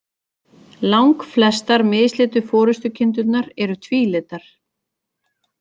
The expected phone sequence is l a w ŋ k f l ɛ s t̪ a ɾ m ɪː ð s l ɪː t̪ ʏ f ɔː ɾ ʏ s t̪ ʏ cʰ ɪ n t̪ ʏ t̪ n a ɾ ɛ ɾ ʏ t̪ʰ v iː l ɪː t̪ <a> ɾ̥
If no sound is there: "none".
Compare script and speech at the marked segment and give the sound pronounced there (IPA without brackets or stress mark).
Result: a